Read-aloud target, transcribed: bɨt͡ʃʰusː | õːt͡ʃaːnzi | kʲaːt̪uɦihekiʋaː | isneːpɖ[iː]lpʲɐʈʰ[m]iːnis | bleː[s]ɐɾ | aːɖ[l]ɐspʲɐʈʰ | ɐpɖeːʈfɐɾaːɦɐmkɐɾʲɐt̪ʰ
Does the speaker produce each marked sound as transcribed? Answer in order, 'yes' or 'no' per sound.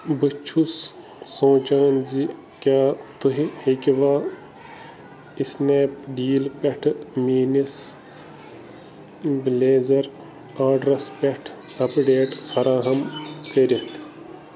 yes, yes, no, no

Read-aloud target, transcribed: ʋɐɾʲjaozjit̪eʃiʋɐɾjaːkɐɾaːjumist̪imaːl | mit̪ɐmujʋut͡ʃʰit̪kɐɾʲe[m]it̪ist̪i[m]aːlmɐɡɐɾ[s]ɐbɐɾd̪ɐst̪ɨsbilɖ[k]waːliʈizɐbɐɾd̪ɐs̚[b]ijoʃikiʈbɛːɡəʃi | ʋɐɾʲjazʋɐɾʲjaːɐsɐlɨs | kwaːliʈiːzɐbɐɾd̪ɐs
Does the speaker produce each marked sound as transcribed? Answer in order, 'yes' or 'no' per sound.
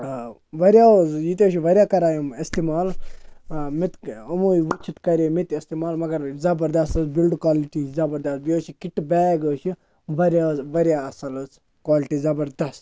yes, yes, no, yes, yes

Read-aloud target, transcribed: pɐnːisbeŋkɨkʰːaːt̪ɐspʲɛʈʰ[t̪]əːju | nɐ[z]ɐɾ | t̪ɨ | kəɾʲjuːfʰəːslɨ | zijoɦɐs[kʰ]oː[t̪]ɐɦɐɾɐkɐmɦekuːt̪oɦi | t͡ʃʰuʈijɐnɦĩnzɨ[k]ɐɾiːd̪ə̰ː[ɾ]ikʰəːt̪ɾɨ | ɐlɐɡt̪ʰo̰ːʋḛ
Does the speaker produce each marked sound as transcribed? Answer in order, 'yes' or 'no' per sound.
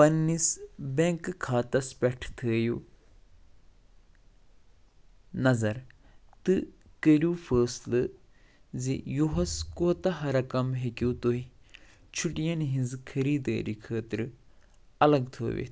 no, yes, no, yes, no, yes

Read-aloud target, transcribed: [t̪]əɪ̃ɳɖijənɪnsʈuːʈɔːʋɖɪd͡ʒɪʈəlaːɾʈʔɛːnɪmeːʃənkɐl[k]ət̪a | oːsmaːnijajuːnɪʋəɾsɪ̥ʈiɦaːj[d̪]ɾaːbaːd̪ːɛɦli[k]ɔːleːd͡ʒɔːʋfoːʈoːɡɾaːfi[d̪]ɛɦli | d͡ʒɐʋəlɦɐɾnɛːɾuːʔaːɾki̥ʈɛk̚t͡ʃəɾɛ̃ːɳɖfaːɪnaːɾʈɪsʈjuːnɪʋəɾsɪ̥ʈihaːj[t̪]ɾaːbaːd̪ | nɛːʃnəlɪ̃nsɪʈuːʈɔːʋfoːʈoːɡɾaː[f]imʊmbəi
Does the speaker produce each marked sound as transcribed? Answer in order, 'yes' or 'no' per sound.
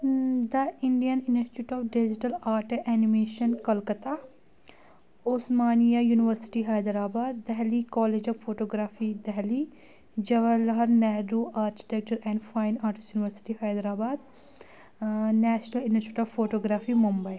no, yes, yes, yes, yes, no, yes

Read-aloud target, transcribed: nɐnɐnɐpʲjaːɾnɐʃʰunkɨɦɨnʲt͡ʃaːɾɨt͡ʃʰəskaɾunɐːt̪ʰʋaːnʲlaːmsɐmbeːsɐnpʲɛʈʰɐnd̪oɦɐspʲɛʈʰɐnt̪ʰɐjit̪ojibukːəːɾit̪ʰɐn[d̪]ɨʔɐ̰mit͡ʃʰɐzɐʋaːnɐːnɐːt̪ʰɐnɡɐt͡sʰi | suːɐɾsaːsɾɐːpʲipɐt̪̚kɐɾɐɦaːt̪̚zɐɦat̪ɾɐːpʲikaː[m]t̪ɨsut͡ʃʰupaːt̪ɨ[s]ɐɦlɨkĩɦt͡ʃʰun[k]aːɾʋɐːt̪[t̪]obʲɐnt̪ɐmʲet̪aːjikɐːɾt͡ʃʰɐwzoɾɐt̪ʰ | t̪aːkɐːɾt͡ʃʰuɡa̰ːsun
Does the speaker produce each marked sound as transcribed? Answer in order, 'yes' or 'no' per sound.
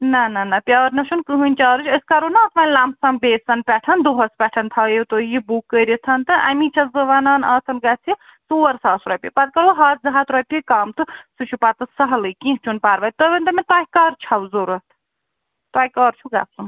no, yes, yes, no, yes

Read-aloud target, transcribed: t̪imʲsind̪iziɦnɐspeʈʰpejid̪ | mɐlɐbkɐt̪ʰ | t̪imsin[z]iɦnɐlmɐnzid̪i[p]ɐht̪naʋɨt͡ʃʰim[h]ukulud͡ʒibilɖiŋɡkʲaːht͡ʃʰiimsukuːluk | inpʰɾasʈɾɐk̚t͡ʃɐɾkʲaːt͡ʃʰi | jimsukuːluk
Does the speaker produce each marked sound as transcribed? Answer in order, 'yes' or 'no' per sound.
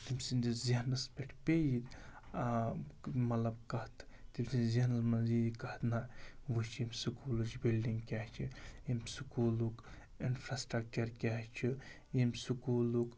yes, no, no

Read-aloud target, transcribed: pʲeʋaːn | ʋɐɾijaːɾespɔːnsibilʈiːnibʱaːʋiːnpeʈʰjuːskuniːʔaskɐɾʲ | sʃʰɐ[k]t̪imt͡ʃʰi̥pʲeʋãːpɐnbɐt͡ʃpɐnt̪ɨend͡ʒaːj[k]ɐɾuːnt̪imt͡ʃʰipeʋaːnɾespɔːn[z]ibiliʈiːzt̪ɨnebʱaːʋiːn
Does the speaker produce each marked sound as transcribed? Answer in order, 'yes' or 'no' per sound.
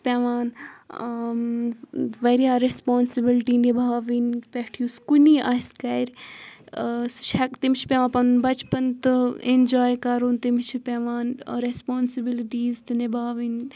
yes, yes, no

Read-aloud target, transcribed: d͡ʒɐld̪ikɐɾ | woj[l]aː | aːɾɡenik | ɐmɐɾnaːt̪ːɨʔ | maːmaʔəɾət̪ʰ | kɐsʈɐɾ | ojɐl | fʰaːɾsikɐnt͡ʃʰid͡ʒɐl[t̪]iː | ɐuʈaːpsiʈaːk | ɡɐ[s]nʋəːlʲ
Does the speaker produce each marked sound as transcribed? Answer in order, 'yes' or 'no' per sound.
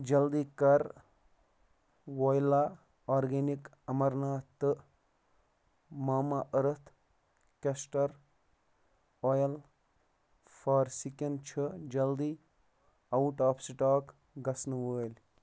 yes, no, yes

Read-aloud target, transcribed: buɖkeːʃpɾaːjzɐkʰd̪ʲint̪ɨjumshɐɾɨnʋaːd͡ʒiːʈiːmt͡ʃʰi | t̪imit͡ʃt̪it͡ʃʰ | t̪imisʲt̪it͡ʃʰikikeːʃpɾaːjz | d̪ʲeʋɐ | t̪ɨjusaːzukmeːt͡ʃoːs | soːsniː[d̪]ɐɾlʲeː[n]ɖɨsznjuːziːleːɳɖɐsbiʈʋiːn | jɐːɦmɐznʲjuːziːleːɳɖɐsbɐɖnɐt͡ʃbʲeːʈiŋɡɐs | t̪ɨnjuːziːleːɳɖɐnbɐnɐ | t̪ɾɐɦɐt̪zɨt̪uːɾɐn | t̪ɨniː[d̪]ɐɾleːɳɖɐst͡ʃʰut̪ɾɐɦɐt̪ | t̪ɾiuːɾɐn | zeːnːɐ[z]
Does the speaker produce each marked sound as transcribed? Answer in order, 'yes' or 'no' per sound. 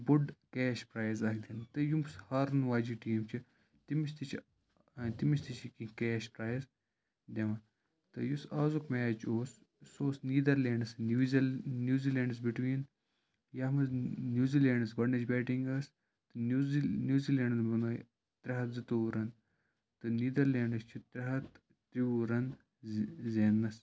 yes, no, yes, no

